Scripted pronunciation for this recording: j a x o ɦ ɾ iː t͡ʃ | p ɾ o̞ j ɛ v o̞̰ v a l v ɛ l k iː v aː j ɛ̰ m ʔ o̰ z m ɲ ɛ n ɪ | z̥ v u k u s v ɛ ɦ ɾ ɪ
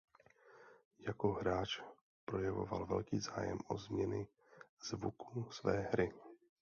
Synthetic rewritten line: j a k o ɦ ɾ aː t͡ʃ | p ɾ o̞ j ɛ v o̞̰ v a l v ɛ l k iː z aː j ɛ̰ m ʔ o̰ z m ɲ ɛ n ɪ | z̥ v u k u s v ɛː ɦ ɾ ɪ

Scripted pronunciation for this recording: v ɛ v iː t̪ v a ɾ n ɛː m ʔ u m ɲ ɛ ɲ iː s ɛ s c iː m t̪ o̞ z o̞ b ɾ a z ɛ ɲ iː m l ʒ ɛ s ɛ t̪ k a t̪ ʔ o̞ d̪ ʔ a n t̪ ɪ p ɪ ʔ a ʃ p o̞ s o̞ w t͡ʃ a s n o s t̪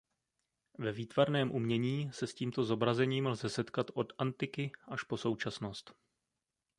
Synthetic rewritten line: v ɛ v iː t̪ v a ɾ n ɛː m ʔ u m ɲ ɛ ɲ iː s ɛ s c iː m t̪ o̞ z o̞ b ɾ a z ɛ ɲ iː m l z ɛ s ɛ t̪ k a t̪ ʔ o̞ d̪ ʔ a n t̪ ɪ k ɪ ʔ a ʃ p o̞ s o̞ w t͡ʃ a s n o s t̪

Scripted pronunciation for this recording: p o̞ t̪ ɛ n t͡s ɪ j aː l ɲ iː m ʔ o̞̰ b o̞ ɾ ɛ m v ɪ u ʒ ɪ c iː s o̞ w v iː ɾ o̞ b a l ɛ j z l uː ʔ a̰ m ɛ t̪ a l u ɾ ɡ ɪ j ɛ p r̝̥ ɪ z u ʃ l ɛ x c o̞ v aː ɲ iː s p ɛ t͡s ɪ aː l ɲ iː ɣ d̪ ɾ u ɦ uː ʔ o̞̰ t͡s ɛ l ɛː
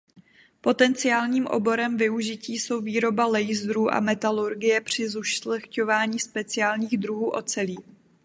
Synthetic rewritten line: p o̞ t̪ ɛ n t͡s ɪ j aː l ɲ iː m ʔ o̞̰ b o̞ ɾ ɛ m v ɪ u ʒ ɪ c iː s o̞ w v iː ɾ o̞ b a l ɛ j z ɾ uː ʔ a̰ m ɛ t̪ a l u ɾ ɡ ɪ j ɛ p r̝̥ ɪ z u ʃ l ɛ x c o̞ v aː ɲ iː s p ɛ t͡s ɪ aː l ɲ iː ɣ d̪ ɾ u ɦ uː ʔ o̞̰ t͡s ɛ l iː

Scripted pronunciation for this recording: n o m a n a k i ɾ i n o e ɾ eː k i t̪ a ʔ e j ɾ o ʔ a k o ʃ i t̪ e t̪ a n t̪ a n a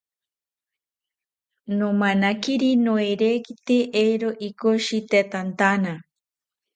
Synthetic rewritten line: n o m a n a k i ɾ i n o e ɾ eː k i t̪ e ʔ e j ɾ o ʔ i k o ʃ i t̪ e t̪ a n t̪ a n a

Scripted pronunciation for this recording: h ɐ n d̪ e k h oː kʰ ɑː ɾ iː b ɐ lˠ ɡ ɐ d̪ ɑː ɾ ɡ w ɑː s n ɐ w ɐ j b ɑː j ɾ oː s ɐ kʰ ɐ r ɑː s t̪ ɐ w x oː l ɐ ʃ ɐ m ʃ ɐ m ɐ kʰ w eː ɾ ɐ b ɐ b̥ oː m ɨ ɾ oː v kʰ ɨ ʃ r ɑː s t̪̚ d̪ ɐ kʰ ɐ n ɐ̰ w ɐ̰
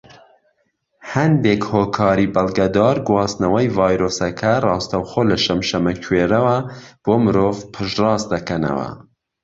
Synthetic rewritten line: h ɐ n d̪ e k h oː kʰ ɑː ɾ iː b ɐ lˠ ɡ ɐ d̪ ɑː ɾ ɡ w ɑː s n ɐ w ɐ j v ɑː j ɾ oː s ɐ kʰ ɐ r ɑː s t̪ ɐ w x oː l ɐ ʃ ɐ m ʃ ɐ m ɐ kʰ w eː ɾ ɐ w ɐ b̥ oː m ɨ ɾ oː v pʰ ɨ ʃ r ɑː s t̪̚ d̪ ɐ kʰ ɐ n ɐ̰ w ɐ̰

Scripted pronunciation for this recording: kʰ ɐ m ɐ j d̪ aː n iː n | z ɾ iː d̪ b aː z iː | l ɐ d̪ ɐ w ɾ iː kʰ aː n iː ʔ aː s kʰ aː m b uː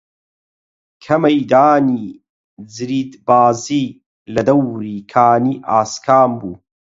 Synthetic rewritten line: kʰ ɐ m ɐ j d̪ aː n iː | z ɾ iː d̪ b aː z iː | l ɐ d̪ ɐ w ɾ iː kʰ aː n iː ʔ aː s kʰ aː m b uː

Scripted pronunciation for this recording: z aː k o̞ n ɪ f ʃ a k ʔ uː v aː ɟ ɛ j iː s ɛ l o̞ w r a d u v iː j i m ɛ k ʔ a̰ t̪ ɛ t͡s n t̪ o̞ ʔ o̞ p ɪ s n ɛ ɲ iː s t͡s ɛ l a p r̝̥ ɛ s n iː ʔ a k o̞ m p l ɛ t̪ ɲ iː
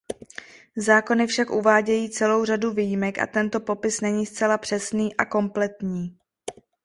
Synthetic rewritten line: z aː k o̞ n ɪ f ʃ a k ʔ u v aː ɟ ɛ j iː t͡s ɛ l o̞ w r a d u v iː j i m ɛ k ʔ a̰ t̪ ɛ n t̪ o̞ p o̞ p ɪ s n ɛ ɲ iː s t͡s ɛ l a p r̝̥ ɛ s n iː ʔ a k o̞ m p l ɛ t̪ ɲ iː

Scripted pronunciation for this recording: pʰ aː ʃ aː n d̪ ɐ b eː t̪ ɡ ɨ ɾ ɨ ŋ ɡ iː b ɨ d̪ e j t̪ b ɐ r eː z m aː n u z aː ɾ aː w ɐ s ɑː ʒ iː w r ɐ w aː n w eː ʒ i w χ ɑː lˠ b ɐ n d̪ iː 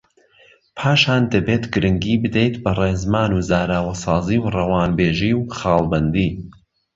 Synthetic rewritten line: pʰ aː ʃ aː n d̪ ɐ b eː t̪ ɡ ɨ ɾ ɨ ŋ ɡ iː b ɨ d̪ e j t̪ b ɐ r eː z m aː n u z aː ɾ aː w ɐ s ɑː z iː w r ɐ w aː n b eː ʒ i w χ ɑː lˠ b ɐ n d̪ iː

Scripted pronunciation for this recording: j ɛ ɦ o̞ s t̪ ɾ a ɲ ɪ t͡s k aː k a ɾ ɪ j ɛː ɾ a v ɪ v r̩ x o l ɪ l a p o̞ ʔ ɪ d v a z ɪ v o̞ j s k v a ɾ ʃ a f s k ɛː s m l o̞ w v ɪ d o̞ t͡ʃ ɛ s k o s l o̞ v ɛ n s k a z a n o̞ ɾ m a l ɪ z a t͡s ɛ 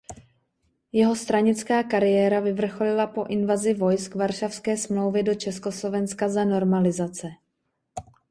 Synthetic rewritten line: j ɛ ɦ o̞ s t̪ ɾ a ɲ ɪ t͡s k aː k a ɾ ɪ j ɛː ɾ a v ɪ v r̩ x o l ɪ l a p o̞ ʔ ɪ n v a z ɪ v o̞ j s k v a ɾ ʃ a f s k ɛː s m l o̞ w v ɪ d o̞ t͡ʃ ɛ s k o s l o̞ v ɛ n s k a z a n o̞ ɾ m a l ɪ z a t͡s ɛ

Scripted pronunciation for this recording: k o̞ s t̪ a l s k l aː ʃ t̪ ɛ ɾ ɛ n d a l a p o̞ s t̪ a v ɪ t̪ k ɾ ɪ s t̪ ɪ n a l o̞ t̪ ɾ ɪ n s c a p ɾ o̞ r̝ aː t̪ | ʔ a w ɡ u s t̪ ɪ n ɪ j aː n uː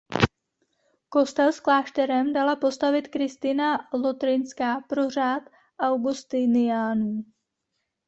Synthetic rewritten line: k o̞ s t̪ ɛ l s k l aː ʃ t̪ ɛ ɾ ɛ m d a l a p o̞ s t̪ a v ɪ t̪ k ɾ ɪ s t̪ ɪ n a l o̞ t̪ ɾ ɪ n s k a p ɾ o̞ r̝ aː t̪ | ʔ a w ɡ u s t̪ ɪ n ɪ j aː n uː

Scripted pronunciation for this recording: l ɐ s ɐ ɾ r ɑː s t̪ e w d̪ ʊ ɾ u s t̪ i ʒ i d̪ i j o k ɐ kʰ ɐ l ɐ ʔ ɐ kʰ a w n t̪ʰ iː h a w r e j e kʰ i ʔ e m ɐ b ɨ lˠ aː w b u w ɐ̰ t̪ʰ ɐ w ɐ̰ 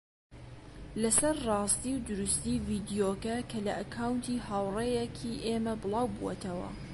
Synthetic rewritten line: l ɐ s ɐ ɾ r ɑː s t̪ i w d̪ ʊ ɾ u s t̪ i v i d̪ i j o k ɐ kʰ ɐ l ɐ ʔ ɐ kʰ a w n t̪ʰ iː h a w r e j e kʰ i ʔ e m ɐ b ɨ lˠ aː w b u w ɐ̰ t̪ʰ ɐ w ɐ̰

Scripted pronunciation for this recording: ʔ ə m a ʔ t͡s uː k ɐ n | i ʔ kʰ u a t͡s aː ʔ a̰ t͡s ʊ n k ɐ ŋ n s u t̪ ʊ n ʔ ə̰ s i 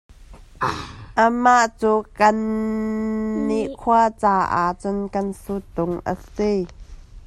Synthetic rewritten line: ʔ ə m a ʔ t͡s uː k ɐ n | i ʔ kʰ u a t͡s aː ʔ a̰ t͡s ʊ n k ɐ n s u t̪ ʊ ŋ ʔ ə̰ s i

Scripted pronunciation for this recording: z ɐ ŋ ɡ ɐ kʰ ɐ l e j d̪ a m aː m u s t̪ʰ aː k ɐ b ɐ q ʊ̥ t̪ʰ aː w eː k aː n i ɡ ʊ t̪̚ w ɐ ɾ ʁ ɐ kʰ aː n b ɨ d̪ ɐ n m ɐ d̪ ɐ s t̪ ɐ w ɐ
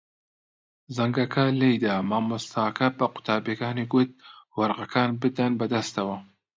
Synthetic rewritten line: z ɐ ŋ ɡ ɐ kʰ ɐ l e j d̪ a m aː m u s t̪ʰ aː k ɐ b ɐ q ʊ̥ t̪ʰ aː b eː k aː n i ɡ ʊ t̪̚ w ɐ ɾ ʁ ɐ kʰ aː n b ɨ d̪ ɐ n b ɐ d̪ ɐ s t̪ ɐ w ɐ

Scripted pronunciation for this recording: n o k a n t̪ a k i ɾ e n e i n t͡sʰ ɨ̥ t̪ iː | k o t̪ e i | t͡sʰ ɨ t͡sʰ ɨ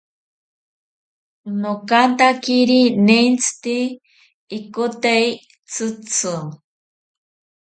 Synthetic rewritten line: n o k a n t̪ a k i ɾ i n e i n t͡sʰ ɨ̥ t̪ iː | k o t̪ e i | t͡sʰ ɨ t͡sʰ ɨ

